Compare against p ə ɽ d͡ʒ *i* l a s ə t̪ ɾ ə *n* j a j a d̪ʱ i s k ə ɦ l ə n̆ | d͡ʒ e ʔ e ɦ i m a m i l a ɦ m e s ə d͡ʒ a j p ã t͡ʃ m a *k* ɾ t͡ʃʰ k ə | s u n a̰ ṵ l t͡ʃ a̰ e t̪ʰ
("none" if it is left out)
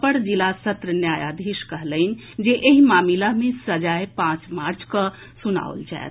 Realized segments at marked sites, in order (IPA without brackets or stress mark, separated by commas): i, n, none